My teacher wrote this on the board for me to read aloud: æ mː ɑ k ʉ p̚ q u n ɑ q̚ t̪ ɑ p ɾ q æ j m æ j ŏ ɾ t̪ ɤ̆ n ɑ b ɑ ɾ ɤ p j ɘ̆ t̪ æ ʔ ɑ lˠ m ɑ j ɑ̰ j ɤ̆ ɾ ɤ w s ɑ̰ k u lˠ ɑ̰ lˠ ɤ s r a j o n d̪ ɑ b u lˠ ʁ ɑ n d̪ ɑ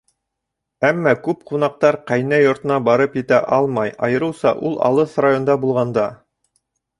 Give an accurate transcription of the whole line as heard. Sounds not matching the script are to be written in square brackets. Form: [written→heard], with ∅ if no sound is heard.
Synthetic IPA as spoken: æ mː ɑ k ʉ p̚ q u n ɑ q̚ t̪ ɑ [p→∅] ɾ q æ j [m→n] æ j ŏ ɾ t̪ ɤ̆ n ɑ b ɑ ɾ ɤ p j ɘ̆ t̪ æ ʔ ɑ lˠ m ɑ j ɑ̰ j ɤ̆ ɾ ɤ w s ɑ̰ [k→ʔ] u lˠ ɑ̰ lˠ ɤ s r a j o n d̪ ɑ b u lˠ ʁ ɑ n d̪ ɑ